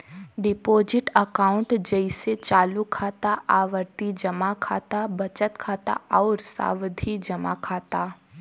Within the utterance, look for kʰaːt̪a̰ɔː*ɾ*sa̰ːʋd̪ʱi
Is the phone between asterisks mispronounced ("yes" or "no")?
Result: no